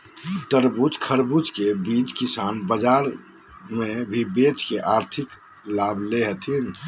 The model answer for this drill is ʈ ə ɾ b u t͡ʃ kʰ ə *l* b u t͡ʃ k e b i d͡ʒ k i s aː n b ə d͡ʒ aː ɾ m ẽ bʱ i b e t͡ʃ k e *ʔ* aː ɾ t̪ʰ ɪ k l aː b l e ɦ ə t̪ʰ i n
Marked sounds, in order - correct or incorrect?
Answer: incorrect, correct

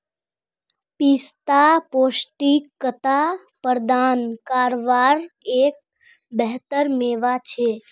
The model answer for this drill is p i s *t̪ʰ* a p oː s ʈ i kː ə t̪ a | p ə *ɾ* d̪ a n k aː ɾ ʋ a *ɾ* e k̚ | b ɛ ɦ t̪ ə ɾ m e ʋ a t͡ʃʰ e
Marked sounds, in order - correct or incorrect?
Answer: incorrect, correct, correct

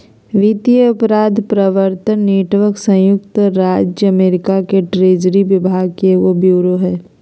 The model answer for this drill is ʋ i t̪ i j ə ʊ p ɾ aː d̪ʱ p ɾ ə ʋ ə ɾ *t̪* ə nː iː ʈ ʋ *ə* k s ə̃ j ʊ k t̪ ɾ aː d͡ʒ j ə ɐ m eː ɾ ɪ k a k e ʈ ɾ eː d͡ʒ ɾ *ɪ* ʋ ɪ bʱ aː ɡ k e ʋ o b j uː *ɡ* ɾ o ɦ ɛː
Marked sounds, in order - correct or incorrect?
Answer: correct, correct, incorrect, incorrect

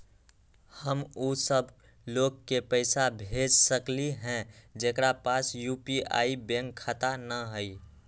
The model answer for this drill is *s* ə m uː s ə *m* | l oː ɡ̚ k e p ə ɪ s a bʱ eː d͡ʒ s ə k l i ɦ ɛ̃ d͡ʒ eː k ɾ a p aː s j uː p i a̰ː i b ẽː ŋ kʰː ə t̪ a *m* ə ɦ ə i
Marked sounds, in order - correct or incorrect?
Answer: incorrect, incorrect, incorrect

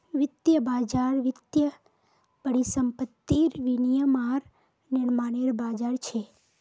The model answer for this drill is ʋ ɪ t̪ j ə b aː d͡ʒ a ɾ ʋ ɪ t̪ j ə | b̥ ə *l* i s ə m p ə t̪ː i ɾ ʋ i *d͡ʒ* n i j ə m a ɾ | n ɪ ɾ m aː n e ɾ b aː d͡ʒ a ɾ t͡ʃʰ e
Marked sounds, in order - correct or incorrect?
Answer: incorrect, incorrect

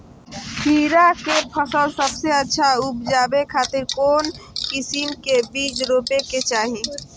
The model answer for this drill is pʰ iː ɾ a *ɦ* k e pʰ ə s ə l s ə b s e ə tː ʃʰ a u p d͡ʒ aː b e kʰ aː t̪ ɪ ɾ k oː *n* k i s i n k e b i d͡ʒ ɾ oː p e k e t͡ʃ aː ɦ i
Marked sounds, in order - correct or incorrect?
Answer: incorrect, correct

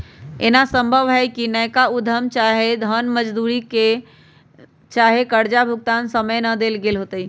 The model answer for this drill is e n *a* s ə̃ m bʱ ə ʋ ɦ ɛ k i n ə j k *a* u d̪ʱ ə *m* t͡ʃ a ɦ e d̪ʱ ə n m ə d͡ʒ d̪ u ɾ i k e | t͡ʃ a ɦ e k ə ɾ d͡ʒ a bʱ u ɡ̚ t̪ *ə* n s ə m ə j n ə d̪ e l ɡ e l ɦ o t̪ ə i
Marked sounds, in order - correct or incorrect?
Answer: correct, correct, correct, incorrect

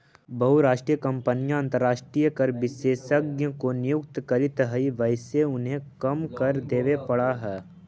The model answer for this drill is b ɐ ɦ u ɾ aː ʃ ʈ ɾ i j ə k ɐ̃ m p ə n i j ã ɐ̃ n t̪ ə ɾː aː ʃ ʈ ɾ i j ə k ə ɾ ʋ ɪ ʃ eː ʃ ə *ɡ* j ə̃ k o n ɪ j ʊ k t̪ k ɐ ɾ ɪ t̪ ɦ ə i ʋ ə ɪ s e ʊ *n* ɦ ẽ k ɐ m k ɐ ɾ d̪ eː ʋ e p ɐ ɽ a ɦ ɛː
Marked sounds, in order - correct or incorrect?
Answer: correct, correct

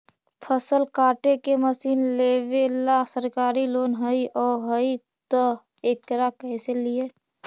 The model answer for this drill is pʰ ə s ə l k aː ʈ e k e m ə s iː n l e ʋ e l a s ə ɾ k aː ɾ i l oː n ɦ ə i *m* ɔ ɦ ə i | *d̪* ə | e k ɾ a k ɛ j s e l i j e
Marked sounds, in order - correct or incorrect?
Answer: incorrect, incorrect

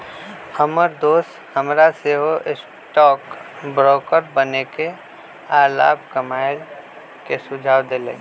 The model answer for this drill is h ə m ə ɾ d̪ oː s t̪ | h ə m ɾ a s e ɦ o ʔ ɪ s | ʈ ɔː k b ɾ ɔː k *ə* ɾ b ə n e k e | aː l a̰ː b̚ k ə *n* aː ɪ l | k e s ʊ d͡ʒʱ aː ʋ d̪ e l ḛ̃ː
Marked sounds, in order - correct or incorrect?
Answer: correct, incorrect

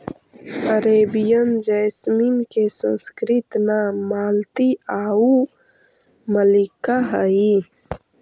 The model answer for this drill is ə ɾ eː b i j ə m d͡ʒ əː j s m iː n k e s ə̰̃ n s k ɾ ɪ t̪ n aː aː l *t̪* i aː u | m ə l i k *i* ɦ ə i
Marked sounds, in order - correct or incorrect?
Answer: correct, incorrect

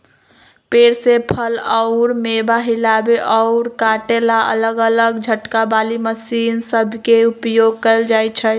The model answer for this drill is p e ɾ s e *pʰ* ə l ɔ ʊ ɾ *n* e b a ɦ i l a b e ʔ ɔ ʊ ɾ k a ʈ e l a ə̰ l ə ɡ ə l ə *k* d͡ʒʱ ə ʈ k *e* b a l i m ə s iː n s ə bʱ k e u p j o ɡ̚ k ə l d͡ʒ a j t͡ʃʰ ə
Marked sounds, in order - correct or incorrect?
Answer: correct, incorrect, incorrect, incorrect

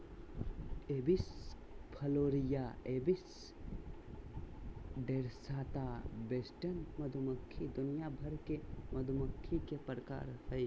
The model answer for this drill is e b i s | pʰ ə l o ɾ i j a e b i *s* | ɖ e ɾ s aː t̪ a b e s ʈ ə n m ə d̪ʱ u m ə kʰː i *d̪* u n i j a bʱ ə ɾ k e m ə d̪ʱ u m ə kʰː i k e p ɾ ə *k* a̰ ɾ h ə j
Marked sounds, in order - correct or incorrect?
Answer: correct, correct, correct

